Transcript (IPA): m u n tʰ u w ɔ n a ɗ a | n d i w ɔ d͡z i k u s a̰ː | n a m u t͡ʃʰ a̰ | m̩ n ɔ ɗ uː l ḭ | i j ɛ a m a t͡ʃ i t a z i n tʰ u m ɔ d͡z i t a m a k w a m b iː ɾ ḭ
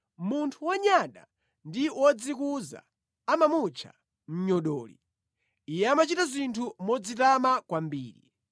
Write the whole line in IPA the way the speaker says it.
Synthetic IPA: m u n tʰ u w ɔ ɲ a ɗ a | n d i w ɔ d͡z i k u z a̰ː | m a m u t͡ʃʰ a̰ | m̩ ɲ ɔ ɗ ɔː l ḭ | i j ɛ a m a t͡ʃ i t a z i n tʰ u m ɔ d͡z i t a m a k w a m b iː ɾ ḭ